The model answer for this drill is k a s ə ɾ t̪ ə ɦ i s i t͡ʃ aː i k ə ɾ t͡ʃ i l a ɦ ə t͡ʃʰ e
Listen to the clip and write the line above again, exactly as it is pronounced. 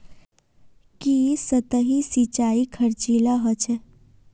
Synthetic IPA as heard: k i s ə t̪ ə ɦ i s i t͡ʃ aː i kʰ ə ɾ t͡ʃ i l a ɦ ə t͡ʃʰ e

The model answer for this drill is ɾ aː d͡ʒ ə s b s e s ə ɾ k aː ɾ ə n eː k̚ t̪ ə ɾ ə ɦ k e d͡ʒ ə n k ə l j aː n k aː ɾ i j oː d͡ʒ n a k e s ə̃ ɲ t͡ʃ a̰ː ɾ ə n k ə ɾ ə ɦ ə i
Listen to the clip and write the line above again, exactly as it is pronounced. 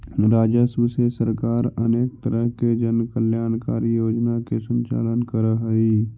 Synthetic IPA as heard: ɾ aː d͡ʒ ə s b s e s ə ɾ k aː ɾ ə n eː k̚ t̪ ə ɾ ə ɦ k e d͡ʒ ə n k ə l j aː n k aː ɾ i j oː d͡ʒ n a k e s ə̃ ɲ t͡ʃ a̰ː l ə n k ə ɾ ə ɦ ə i

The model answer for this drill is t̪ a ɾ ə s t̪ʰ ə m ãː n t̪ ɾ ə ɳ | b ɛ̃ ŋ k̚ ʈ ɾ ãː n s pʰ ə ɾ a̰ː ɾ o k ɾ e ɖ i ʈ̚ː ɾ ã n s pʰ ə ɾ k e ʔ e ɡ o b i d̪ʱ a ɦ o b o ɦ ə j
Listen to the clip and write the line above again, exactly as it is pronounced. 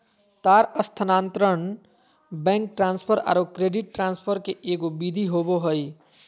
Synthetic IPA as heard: t̪ a ɾ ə s t̪ʰ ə n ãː n t̪ ɾ ə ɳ | b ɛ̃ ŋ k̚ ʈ ɾ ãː n s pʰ ə ɾ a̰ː ɾ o k ɾ e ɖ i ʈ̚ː ɾ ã n s pʰ ə ɾ k e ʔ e ɡ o b i d̪ʱ i ɦ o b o ɦ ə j

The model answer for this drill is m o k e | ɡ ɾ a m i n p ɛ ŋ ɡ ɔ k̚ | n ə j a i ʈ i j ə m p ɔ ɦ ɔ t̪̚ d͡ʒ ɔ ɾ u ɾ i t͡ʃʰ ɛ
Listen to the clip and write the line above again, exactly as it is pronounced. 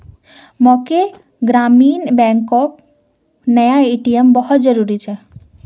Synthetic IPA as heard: m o k e | ɡ ɾ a m i n b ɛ ŋ k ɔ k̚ | n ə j a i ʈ i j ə m b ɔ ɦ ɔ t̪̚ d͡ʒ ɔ ɾ u ɾ i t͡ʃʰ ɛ

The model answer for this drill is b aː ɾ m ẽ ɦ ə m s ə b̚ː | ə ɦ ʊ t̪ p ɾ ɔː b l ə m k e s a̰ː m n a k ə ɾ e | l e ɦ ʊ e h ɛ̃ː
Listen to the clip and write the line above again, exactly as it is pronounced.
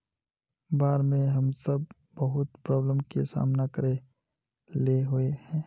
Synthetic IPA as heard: b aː ɾ m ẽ ɦ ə m s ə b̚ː | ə ɦ ʊ t̪ p ɾ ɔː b l ə m k e s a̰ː m n a k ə ɾ e | l e ɦ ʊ e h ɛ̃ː

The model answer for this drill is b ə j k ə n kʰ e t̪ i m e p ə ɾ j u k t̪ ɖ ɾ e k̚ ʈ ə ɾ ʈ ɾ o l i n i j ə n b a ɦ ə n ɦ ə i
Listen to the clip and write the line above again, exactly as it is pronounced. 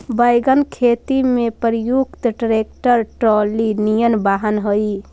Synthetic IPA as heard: b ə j ɡ ə n kʰ e t̪ i m e p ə ɾ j u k t̪ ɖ ɾ e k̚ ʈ ə ɾ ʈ ɾ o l i n i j ə n b a ɦ ə n ɦ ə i

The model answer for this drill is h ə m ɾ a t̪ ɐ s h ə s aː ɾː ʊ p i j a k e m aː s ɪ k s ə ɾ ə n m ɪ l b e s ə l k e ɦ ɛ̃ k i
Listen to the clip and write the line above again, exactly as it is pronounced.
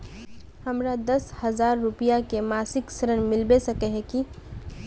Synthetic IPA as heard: h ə m ɾ a d̪ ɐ s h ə z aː ɾː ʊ p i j a k e m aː s ɪ k s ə ɾ ə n m ɪ l b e s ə k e ɦ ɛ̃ k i

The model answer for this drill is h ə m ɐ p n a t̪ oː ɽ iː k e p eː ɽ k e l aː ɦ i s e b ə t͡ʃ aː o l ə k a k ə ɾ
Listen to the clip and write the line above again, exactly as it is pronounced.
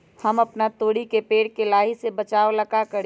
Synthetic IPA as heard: h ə m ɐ p n a t̪ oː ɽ i k e p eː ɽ k e l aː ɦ i s e b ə t͡ʃ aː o l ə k a k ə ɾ

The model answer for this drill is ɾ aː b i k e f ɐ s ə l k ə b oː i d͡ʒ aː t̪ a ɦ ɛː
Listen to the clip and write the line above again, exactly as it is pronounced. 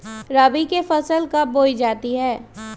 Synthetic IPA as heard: ɾ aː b i k e f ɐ s ə l k a b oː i d͡ʒ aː t̪ i ɦ ɛː

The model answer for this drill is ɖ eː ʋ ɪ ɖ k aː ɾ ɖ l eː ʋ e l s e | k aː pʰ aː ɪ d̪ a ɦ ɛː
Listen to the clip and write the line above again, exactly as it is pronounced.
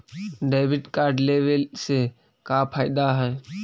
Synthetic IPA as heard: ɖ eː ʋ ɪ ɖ k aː ɾ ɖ l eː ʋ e l s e | k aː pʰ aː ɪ d̪ a ɦ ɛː

